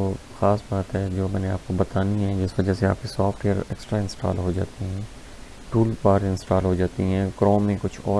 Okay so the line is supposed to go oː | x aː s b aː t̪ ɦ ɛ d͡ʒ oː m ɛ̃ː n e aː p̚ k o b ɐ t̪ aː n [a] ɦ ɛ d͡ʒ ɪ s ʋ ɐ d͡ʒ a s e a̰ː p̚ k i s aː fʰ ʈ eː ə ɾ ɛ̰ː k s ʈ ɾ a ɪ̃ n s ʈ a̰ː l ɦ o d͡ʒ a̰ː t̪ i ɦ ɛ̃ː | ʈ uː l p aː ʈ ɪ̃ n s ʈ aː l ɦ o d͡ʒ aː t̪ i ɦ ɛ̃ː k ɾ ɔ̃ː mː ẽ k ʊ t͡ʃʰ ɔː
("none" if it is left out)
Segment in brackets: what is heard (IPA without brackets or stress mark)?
i